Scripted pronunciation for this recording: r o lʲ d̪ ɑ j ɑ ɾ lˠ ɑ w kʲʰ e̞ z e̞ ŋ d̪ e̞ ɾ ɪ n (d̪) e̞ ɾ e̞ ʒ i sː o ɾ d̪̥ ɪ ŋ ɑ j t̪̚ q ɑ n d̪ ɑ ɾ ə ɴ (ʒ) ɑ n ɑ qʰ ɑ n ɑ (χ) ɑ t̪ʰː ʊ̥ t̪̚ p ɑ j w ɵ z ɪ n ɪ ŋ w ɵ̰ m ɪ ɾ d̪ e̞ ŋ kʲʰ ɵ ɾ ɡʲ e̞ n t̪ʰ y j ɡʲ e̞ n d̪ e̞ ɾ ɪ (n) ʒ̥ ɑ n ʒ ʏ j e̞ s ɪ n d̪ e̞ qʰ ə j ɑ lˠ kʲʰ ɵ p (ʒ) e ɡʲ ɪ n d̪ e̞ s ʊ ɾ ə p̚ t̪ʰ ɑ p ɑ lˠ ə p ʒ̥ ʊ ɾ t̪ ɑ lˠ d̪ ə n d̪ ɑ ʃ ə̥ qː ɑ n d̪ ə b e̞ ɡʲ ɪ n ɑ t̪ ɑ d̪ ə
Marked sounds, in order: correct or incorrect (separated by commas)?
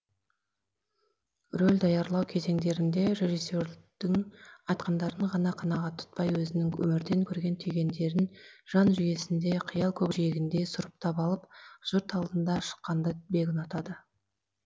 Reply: correct, incorrect, incorrect, correct, correct